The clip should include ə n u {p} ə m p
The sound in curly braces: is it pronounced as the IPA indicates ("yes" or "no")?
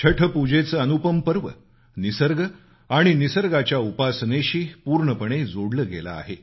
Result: yes